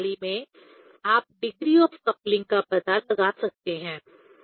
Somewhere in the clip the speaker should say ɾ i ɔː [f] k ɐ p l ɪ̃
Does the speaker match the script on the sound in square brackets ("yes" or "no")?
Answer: yes